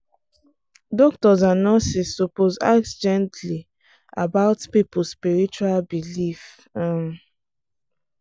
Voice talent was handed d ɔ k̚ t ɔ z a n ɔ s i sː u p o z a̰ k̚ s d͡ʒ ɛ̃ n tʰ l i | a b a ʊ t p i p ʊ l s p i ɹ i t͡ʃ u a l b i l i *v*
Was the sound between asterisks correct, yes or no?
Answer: no